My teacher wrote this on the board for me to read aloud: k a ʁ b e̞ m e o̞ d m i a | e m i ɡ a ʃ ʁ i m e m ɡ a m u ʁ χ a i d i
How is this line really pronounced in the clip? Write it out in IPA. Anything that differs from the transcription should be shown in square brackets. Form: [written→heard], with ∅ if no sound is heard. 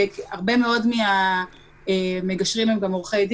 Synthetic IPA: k a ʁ b e̞ m e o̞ d m i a | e m [i→e] ɡ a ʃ ʁ i m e m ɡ a m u ʁ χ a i d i